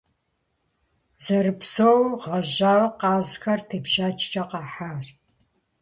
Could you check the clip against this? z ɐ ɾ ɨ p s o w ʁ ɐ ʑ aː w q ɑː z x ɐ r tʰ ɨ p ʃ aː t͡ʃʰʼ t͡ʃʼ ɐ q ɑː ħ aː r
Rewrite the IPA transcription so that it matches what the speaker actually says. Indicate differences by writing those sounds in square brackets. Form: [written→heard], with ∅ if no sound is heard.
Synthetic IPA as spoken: z ɐ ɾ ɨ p s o w ʁ ɐ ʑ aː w q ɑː z x ɐ r tʰ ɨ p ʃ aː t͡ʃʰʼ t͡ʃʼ ɐ q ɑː ħ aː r